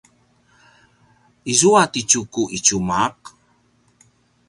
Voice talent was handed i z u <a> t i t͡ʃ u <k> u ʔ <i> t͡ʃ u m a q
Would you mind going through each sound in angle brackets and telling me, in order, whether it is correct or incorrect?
correct, correct, correct

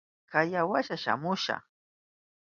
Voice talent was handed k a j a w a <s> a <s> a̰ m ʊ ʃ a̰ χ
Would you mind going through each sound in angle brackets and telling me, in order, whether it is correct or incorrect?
incorrect, incorrect

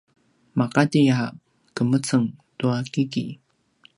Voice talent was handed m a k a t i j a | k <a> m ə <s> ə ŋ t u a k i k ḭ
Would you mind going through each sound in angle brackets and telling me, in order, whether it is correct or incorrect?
incorrect, incorrect

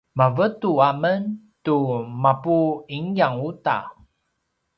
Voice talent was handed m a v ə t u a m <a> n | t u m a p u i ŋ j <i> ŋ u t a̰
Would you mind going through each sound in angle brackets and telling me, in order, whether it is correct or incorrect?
incorrect, incorrect

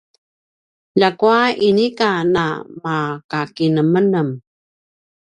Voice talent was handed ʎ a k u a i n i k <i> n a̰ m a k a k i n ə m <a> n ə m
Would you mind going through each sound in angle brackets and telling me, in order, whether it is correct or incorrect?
incorrect, incorrect

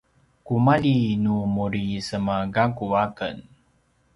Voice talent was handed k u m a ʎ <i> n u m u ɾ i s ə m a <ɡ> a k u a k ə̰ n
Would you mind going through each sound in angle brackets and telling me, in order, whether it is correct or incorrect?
correct, correct

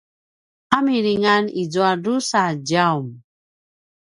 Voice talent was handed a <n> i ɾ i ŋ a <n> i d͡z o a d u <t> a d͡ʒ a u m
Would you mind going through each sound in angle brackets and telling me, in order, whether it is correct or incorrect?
incorrect, correct, incorrect

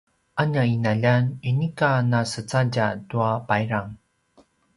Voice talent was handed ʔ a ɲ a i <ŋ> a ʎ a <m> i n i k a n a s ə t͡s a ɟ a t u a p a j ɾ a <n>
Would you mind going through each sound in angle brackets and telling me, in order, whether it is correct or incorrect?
incorrect, incorrect, incorrect

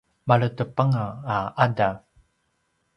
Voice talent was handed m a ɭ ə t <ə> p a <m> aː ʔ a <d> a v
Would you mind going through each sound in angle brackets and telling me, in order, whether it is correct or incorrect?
correct, incorrect, correct

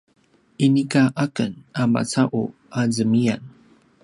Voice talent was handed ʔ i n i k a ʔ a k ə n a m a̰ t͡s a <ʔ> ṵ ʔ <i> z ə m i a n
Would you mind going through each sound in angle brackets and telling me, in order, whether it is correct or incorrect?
correct, incorrect

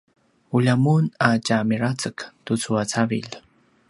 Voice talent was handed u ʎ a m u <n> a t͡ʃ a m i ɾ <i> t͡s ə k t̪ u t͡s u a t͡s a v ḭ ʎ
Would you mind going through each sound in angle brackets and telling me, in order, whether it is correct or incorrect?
correct, incorrect

